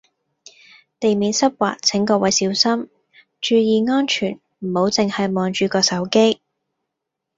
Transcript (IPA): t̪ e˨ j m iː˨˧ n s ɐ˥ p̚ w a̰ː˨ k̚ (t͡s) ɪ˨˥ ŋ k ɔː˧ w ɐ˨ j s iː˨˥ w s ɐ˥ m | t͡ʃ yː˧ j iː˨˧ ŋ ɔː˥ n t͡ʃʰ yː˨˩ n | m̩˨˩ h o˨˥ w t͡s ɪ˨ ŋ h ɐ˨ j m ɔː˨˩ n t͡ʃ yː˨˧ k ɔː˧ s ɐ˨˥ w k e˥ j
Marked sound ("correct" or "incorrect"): incorrect